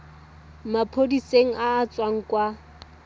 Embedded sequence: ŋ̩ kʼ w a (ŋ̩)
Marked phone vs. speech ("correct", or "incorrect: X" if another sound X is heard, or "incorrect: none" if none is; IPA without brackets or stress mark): incorrect: none